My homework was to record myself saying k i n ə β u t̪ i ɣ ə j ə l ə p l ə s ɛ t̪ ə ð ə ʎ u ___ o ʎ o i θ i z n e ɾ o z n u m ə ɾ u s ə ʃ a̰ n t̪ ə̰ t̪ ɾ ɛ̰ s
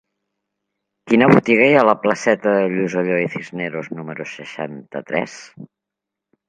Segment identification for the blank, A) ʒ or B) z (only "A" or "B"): B